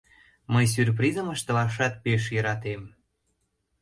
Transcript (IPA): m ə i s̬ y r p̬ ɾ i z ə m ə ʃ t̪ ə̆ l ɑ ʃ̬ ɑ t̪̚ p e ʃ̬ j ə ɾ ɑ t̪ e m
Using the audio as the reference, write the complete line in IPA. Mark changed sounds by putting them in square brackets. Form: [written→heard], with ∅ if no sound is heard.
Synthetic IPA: m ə [i→j] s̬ y r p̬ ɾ i z ə m ə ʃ t̪ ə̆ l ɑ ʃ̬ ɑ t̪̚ p e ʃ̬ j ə ɾ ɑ t̪ e m